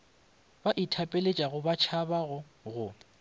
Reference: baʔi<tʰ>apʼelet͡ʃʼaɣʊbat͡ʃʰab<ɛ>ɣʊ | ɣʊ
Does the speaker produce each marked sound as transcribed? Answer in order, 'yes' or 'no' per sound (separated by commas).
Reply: yes, no